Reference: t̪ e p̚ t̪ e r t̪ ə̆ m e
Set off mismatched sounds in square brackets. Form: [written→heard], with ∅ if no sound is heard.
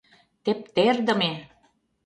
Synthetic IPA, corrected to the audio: t̪ e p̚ t̪ e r [t̪→d̪] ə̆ m e